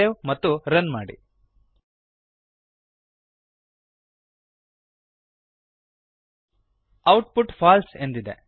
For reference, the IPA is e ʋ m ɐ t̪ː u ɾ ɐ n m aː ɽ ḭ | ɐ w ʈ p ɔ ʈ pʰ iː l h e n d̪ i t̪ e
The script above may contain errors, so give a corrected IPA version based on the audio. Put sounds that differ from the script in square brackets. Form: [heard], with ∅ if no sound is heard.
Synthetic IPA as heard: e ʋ m ɐ t̪ː u ɾ ɐ n m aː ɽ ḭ | ɐ w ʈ p [u] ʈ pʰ [aː] l [s] e n d̪ i [d̪] e